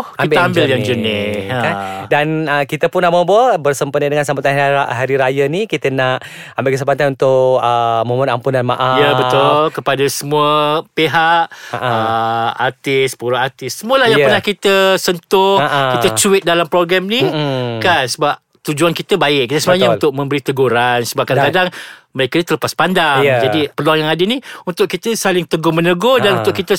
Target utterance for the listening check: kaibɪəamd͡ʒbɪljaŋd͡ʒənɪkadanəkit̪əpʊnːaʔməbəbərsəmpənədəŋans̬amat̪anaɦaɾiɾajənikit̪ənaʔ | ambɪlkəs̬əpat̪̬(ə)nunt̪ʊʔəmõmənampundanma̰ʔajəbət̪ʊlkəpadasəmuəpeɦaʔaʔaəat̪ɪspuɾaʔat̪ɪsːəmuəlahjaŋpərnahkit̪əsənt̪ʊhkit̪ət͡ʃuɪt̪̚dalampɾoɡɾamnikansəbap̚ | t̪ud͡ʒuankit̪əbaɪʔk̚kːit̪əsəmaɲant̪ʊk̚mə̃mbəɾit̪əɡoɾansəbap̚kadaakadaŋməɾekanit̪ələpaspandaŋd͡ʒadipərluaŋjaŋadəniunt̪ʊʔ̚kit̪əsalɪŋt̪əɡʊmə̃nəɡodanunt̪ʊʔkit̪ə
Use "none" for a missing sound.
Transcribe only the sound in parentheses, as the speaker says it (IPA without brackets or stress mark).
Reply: a